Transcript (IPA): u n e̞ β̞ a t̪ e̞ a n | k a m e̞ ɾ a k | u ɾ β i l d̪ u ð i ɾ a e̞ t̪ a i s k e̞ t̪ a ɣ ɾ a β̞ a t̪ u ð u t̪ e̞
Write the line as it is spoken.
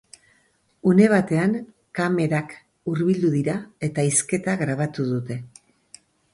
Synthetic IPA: u n e̞ β̞ a t̪ e̞ a n | k a m e̞ ɾ a k | u ɾ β i l d̪ u ð i ɾ a e̞ t̪ a i s k e̞ t̪ a ɣ ɾ a β̞ a t̪ u ð u t̪ e̞